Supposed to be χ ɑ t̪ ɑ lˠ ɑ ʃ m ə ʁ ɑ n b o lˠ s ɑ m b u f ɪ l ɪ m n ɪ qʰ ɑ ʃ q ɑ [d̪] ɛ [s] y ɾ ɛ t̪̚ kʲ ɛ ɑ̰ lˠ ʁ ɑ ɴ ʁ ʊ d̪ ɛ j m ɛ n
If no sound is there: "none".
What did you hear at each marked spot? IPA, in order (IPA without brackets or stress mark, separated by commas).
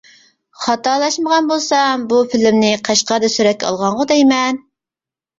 d̪, s